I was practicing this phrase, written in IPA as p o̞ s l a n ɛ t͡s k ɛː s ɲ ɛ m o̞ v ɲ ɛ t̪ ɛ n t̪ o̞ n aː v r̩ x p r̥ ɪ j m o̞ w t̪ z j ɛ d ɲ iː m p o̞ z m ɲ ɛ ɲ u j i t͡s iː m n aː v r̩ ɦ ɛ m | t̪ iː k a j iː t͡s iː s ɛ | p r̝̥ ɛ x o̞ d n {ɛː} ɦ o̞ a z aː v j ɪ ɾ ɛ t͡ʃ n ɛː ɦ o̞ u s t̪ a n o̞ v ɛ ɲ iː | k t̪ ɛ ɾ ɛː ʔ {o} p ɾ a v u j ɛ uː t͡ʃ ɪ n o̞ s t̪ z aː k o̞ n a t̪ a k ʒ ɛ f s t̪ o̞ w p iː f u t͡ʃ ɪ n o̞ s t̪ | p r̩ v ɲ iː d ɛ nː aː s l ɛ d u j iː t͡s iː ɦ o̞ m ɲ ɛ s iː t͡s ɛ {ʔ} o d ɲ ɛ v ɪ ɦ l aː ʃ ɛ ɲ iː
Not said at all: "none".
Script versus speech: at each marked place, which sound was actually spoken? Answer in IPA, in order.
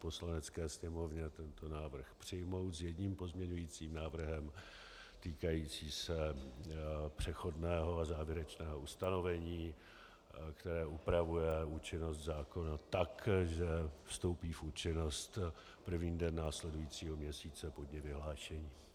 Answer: ɛː, u, p

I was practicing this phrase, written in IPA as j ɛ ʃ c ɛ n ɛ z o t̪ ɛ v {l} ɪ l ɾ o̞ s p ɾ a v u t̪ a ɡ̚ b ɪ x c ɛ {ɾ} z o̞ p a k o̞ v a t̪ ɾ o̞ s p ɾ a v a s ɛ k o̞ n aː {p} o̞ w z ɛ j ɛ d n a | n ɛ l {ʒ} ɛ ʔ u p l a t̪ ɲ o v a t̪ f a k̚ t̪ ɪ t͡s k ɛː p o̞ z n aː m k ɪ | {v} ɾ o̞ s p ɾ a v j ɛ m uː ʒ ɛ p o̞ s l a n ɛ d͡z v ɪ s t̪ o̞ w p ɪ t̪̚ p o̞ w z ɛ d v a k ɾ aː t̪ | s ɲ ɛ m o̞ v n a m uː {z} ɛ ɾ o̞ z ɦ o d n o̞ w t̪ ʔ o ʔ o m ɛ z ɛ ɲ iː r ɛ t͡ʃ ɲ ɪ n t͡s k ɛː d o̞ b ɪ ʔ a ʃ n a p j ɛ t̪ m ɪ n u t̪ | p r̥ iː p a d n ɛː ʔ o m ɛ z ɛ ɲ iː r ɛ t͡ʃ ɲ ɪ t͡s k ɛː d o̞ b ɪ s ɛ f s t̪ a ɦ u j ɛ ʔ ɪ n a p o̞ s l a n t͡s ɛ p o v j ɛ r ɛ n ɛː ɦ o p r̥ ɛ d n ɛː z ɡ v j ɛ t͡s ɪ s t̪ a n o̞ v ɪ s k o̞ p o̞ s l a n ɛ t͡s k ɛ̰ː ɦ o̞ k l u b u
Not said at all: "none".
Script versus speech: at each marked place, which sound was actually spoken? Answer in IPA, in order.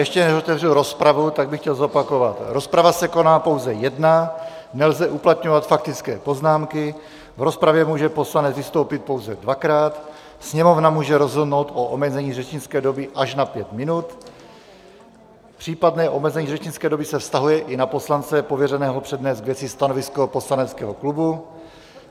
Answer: r, l, p, z, v, ʒ

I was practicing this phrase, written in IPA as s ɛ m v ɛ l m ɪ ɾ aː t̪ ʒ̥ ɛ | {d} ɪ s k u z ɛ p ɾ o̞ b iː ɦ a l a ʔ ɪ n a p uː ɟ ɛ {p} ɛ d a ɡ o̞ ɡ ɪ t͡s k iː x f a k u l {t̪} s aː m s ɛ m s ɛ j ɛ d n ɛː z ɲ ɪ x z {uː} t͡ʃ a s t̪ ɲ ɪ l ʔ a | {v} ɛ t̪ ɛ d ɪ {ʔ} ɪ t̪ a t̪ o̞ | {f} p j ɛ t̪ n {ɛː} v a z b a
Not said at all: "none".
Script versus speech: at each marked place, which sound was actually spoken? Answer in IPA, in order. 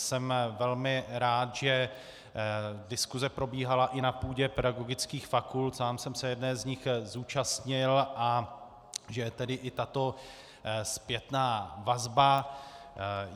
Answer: d, p, t̪, uː, ʒ, ʔ, s, aː

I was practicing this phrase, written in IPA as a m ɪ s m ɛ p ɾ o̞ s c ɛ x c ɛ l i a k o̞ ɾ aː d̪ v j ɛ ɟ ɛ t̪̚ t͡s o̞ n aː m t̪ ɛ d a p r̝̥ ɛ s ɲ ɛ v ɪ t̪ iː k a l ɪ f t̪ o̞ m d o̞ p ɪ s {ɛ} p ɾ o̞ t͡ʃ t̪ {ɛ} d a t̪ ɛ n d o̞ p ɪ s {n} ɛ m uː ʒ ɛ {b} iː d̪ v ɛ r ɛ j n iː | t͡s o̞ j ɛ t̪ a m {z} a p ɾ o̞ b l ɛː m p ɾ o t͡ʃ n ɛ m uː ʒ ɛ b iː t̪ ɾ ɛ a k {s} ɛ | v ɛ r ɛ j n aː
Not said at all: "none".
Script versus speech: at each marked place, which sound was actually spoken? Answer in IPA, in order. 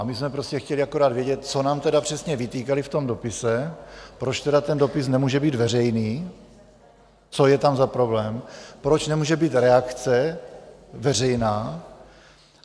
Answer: ɛ, ɛ, n, b, z, t͡s

